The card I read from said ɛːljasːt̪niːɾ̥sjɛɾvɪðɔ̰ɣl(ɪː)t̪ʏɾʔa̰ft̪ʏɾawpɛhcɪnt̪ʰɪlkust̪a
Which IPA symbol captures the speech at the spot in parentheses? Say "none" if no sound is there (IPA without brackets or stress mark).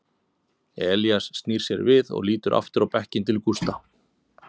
iː